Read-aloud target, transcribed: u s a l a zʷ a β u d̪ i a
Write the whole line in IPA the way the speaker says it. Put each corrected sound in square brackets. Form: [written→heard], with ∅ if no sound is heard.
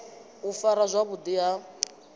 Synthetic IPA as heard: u [s→f] a [l→ɾ] a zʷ a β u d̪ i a

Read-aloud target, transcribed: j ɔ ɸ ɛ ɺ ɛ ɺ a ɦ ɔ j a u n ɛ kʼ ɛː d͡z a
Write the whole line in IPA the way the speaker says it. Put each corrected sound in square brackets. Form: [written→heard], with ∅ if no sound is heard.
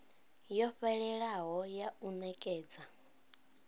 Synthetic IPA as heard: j ɔ ɸ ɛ ɺ ɛ ɺ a ɦ ɔ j a u n ɛ kʼ ɛː d͡z a

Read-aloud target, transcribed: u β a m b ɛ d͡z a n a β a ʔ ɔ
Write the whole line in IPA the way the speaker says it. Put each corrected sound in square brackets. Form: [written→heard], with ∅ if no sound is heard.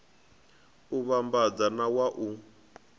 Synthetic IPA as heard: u β a m b [ɛ→a] d͡z a n a [β→w] a ʔ [ɔ→u]

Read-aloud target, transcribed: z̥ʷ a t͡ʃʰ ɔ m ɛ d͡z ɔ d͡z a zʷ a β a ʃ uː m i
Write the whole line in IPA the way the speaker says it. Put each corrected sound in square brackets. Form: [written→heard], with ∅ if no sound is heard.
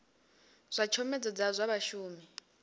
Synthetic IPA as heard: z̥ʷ a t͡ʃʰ ɔ m ɛ d͡z ɔ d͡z a zʷ a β a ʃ uː m i

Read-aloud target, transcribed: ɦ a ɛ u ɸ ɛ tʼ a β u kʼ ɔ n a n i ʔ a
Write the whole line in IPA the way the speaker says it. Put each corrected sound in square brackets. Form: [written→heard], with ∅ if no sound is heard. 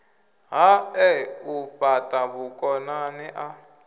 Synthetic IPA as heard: ɦ a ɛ u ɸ [ɛ→a] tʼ a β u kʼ ɔ n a n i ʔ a

